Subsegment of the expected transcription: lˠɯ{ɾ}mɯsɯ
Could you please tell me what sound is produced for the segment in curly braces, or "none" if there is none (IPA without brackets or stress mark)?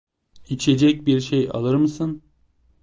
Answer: ɾ